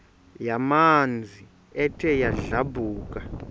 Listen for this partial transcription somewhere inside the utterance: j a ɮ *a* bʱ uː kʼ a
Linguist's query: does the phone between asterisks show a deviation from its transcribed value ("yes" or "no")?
no